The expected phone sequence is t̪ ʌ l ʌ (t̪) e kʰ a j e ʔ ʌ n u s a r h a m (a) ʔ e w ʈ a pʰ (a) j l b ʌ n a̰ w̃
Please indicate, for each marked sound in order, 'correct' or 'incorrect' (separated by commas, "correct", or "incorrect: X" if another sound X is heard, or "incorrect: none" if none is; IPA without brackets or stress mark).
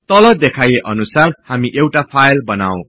incorrect: d̪, incorrect: i, correct